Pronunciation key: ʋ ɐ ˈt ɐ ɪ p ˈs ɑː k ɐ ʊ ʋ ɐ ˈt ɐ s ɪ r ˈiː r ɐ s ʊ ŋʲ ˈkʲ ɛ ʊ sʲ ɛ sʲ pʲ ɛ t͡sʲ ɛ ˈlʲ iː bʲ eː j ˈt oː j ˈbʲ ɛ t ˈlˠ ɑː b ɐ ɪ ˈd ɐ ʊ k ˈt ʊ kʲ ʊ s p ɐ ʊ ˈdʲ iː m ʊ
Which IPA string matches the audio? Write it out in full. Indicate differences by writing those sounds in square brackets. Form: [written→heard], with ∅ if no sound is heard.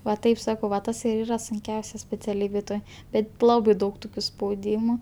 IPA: ʋ ɐ ˈt ɐ ɪ p ˈs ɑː k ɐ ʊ ʋ ɐ ˈt ɐ s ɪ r ˈiː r ɐ s ʊ ŋʲ ˈkʲ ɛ ʊ sʲ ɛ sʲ pʲ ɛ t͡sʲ ɛ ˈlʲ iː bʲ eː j ˈt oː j ˈbʲ ɛ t ˈlˠ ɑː b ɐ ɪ ˈd ɐ ʊ k ˈt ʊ kʲ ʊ s p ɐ ʊ ˈdʲ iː m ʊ